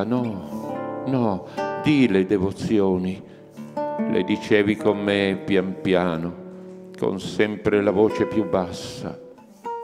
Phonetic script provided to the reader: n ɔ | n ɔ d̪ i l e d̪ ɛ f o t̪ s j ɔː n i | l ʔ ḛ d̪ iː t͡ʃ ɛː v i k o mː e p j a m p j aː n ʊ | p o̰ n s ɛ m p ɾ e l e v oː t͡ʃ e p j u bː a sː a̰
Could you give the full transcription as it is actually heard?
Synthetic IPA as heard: n ɔ | n ɔ d̪ i l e d̪ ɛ v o t̪ s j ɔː n i | l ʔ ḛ d̪ i t͡ʃ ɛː v i k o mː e p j a m p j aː n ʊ | k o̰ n s ɛ m p ɾ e l a v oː t͡ʃ e p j u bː a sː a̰